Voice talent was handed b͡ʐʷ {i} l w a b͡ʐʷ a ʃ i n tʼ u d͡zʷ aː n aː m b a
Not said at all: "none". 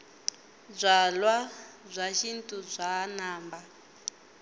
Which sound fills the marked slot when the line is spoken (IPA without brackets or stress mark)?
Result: a